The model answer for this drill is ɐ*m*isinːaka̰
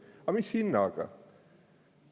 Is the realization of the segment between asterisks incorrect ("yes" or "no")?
no